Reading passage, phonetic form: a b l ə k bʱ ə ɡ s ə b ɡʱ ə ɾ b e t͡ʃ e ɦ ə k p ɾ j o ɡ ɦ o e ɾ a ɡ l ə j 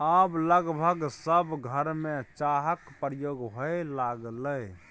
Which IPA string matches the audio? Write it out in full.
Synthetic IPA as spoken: a b l ə ɡ bʱ ə ɡ s ə b ɡʱ ə ɾ m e t͡ʃ a ɦ ə k p ɾ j o ɡ ɦ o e l a ɡ l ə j